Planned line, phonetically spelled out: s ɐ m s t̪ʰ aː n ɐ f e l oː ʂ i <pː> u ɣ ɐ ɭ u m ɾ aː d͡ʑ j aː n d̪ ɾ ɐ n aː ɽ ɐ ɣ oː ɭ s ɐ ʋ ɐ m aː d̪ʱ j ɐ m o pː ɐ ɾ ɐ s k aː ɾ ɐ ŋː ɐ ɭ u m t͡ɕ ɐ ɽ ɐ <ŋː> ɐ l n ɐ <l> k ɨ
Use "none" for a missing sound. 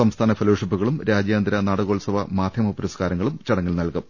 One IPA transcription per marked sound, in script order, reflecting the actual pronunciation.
pː, ŋː, l

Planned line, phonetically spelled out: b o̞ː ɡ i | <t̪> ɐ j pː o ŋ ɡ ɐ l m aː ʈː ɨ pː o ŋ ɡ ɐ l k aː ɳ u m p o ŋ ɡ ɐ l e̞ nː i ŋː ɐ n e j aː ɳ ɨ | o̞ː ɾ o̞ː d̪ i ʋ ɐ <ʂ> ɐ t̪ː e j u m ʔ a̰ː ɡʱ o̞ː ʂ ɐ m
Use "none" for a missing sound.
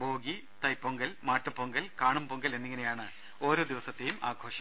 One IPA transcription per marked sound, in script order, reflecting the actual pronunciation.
t̪, s

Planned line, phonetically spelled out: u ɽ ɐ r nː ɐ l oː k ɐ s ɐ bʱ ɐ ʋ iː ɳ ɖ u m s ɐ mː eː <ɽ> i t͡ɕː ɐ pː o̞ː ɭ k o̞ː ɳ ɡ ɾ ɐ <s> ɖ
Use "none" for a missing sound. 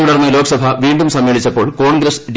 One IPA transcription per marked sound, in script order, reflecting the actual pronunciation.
ɭ, s

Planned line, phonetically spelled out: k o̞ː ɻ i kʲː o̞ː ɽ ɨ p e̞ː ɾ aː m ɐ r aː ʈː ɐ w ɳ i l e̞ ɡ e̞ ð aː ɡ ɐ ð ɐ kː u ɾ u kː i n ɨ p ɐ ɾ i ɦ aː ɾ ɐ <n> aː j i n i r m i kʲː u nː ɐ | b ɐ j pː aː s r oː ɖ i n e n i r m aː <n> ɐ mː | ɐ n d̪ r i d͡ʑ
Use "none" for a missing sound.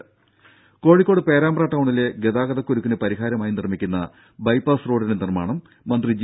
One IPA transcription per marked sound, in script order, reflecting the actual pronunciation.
m, ɳ

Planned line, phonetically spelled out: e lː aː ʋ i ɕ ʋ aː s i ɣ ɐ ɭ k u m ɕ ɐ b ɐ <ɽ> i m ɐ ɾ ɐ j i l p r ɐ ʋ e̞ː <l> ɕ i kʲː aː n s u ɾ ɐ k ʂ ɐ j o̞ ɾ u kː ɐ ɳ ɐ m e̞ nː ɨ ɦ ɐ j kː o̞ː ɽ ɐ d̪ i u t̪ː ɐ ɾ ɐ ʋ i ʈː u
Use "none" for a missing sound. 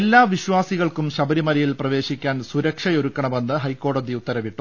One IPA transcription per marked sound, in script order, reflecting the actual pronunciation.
ɾ, none

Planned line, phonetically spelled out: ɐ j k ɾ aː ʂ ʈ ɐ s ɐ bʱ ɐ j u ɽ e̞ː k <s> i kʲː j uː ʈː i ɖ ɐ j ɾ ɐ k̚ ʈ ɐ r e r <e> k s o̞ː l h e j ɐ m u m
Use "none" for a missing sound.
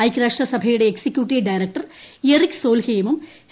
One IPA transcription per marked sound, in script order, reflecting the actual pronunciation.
s, i

